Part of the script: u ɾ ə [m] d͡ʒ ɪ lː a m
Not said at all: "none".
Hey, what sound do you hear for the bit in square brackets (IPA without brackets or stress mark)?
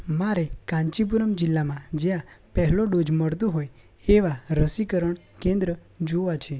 m